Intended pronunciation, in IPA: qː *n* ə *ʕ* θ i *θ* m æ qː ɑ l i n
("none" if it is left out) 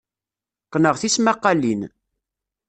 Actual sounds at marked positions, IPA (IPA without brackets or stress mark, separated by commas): n, ʁ, s